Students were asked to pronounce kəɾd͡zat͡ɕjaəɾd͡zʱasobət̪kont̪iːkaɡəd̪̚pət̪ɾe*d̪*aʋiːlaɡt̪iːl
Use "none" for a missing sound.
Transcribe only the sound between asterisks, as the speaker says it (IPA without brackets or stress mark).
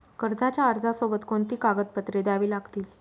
d̪